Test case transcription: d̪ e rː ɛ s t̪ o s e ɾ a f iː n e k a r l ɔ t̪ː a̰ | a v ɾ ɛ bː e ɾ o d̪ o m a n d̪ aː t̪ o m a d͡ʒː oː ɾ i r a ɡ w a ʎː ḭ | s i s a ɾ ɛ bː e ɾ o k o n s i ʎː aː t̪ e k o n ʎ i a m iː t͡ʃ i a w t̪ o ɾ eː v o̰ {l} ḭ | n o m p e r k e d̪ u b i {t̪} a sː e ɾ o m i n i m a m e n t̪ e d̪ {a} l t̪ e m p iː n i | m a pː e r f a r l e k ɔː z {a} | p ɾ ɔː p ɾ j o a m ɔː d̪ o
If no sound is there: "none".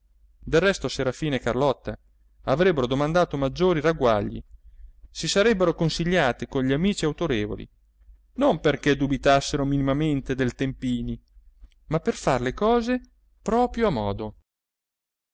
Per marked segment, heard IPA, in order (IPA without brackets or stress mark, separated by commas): l, t̪, e, e